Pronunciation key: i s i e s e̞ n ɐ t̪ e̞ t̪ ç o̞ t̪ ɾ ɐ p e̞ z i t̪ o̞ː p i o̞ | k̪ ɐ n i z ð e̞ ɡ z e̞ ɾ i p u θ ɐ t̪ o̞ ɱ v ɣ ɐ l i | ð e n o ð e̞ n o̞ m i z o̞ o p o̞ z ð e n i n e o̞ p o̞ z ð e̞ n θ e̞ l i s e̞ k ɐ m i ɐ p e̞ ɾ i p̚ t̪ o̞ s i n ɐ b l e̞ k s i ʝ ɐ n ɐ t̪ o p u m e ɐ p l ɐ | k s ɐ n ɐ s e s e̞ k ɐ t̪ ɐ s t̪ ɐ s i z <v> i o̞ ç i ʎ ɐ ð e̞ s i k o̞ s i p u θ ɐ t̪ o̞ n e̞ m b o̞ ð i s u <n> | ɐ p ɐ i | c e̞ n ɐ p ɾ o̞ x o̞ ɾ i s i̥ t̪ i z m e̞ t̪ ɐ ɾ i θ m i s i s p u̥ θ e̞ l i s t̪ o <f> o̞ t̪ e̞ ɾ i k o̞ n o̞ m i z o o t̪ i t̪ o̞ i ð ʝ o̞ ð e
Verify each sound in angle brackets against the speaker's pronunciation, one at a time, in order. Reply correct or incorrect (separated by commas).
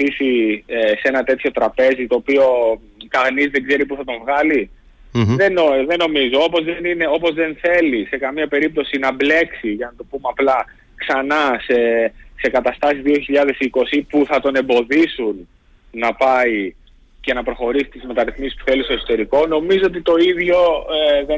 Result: incorrect, incorrect, incorrect